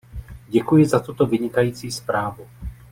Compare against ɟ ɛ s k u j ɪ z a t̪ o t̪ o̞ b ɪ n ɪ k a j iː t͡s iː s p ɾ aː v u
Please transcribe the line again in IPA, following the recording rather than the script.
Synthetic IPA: ɟ ɛ k u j ɪ z a t̪ u t̪ o̞ v ɪ ɲ ɪ k a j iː t͡s iː s p ɾ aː v u